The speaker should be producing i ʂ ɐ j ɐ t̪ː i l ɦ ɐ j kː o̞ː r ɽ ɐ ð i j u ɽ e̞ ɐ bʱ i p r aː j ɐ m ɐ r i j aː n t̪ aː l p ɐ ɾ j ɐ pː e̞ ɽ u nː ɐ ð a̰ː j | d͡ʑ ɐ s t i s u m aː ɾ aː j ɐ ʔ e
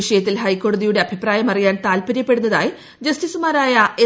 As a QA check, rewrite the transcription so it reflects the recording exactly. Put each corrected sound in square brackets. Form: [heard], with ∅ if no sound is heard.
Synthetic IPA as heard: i ʂ ɐ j ɐ t̪ː i l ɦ ɐ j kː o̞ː [∅] ɽ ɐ ð i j u ɽ e̞ ɐ bʱ i p r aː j ɐ m ɐ r i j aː n t̪ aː l p ɐ ɾ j ɐ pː e̞ ɽ u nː ɐ ð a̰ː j | d͡ʑ ɐ s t i s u m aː ɾ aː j ɐ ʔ e